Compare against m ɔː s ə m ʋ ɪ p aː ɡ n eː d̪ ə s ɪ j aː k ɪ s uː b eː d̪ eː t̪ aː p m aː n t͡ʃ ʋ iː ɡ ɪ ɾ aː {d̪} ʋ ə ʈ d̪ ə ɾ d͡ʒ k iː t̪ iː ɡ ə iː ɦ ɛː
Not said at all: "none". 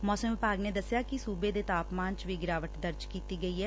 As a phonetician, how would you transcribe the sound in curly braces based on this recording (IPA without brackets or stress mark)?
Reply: none